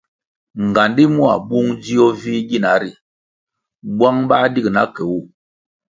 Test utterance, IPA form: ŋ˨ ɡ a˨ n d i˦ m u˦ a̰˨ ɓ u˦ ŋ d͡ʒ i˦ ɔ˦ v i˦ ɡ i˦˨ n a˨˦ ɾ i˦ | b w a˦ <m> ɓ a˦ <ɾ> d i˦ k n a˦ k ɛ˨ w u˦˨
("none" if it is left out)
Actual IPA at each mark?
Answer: ŋ, none

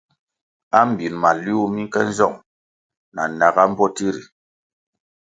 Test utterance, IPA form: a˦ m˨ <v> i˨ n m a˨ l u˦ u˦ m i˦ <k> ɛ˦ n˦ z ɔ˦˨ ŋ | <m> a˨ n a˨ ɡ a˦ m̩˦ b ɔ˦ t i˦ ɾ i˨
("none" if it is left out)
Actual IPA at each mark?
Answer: b, k, n

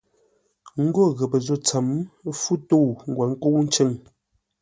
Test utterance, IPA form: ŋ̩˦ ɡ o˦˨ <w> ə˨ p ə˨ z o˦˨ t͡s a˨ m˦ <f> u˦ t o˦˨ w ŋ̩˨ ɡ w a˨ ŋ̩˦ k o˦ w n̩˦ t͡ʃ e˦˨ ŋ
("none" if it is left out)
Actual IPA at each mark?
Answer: ɣ, f

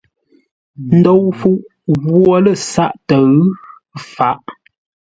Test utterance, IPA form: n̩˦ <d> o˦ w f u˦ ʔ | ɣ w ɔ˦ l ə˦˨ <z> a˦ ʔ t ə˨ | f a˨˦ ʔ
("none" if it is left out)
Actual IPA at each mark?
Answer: d, s

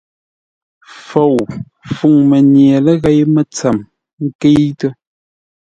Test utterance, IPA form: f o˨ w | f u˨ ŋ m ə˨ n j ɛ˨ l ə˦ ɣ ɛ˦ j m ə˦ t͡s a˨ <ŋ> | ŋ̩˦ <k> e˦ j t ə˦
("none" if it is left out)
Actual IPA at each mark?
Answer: m, k

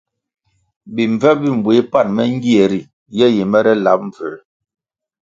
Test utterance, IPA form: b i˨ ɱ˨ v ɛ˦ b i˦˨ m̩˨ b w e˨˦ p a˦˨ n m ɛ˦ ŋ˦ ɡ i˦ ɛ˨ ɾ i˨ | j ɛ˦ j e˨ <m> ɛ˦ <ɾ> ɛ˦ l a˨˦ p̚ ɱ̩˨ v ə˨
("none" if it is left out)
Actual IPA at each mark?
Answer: m, ɾ

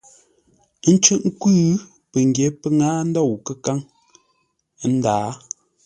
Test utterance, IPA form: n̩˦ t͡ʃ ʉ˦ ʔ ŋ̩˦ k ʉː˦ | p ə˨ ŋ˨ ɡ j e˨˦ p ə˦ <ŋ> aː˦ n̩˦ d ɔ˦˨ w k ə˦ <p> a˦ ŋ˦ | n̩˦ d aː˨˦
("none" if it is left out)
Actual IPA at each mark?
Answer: ŋ, k

